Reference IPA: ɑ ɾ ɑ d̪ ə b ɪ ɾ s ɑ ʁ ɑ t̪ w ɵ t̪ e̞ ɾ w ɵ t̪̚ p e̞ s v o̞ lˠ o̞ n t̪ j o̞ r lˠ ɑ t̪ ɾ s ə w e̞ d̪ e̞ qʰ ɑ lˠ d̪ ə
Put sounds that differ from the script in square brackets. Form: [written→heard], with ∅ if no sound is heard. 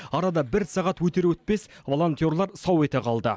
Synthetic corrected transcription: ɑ ɾ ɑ d̪ [ə→ɑ] b ɪ ɾ s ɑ ʁ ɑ t̪ w ɵ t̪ e̞ ɾ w ɵ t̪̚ p e̞ s v o̞ lˠ o̞ n t̪ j o̞ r lˠ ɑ [t̪→∅] ɾ s [ə→ɑ] w e̞ [d̪→t̪] e̞ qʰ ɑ lˠ d̪ ə